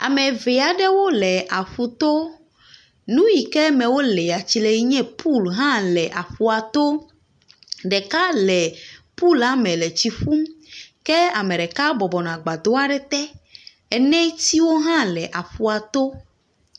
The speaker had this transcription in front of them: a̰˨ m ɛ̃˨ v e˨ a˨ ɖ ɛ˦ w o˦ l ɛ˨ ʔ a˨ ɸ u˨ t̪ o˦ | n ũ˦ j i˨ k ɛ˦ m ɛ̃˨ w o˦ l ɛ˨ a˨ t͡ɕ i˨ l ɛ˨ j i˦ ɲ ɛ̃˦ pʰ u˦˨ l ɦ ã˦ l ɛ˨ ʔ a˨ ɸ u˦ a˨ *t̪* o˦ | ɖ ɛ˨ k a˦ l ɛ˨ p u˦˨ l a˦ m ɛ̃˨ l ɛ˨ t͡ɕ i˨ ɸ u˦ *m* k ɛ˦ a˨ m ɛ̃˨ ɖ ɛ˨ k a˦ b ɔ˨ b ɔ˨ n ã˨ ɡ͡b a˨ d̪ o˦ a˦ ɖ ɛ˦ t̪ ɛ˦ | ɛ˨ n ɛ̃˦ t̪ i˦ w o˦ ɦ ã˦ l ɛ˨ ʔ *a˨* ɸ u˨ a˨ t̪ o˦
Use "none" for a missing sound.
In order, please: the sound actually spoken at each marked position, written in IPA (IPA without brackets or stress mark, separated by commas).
t̪, m, a˨